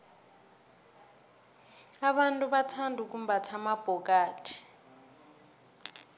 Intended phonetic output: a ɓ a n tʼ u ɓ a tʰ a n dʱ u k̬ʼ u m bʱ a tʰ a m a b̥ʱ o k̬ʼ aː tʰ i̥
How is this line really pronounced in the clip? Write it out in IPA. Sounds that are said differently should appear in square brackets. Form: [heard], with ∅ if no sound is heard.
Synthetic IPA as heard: a ɓ a n tʼ u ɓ a tʰ a n dʱ u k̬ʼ u m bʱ a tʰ a m a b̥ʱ [ɔ] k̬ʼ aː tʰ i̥